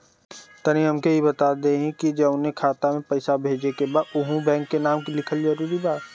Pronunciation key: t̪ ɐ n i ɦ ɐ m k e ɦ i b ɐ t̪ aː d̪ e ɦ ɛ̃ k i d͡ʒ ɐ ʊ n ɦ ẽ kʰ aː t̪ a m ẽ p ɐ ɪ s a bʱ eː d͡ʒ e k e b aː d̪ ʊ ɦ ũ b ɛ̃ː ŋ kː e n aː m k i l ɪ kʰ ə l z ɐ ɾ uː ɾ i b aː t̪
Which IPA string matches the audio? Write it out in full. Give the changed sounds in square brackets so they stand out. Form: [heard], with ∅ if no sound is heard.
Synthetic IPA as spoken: t̪ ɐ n i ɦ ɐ m k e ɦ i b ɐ t̪ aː d̪ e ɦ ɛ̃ k i d͡ʒ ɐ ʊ n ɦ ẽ kʰ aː t̪ a m ẽ p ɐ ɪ s a bʱ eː d͡ʒ e k e b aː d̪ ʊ ɦ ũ b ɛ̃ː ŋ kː e n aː m k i l ɪ kʰ ə l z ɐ ɾ uː ɾ i b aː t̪